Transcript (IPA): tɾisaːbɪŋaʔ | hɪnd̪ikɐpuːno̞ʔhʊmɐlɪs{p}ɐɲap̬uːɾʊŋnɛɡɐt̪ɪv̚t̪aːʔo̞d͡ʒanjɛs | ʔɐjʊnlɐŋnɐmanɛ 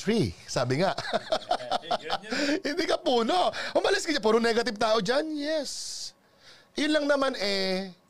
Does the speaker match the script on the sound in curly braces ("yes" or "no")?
no